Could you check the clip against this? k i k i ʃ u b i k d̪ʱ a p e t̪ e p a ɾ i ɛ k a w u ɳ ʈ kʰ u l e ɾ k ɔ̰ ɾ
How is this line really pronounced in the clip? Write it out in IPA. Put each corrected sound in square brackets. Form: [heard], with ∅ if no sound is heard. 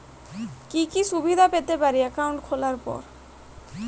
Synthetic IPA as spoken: k i k i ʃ u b i [∅] d̪ʱ a p e t̪ e p a ɾ i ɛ k a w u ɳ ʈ kʰ [o] l [a] ɾ [p] ɔ̰ ɾ